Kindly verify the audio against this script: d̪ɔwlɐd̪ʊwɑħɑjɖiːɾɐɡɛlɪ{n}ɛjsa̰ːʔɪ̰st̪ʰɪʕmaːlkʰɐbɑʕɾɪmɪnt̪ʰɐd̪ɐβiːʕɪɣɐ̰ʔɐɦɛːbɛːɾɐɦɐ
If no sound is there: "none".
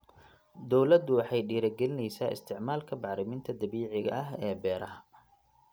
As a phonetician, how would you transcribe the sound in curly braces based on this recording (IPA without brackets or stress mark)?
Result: n